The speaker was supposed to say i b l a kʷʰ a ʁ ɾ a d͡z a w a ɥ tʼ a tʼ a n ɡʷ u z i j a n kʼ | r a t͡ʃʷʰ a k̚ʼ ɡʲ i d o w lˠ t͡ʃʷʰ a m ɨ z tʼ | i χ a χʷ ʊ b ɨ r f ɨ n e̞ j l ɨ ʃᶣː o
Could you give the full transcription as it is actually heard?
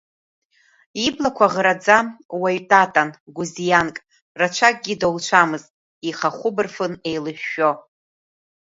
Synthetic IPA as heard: i b l a kʷʰ a ʁ ɾ a d͡z a w a ɥ tʼ a tʼ a n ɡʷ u z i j a n kʼ | r a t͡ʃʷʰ a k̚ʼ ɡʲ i d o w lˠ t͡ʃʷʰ a m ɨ z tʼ | i χ a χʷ ʊ b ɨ r f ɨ n e̞ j l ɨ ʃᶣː o